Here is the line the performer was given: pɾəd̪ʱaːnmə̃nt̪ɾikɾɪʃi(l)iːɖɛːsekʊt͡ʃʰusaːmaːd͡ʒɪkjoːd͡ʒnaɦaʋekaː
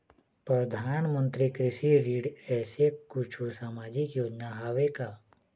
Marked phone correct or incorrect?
incorrect